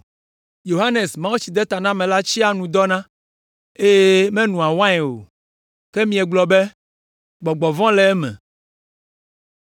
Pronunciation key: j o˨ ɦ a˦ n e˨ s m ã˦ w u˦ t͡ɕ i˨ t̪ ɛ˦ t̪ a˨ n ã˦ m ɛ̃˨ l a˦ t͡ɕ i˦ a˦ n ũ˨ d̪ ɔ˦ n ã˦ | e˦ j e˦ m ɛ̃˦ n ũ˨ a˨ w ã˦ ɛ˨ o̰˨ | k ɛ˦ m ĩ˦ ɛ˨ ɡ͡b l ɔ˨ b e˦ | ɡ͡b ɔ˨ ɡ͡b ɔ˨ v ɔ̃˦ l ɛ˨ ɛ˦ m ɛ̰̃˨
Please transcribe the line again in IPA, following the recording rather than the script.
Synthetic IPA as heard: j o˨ ɦ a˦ n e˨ s m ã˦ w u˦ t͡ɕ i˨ d̪ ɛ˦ t̪ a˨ n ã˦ m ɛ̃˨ l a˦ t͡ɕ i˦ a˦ n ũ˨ d̪ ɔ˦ n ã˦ | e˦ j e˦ m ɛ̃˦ n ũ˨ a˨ w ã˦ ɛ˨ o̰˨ | k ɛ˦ m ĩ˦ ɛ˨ ɡ͡b l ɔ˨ b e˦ | ɡ͡b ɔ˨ ɡ͡b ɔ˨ v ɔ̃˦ l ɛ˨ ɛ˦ m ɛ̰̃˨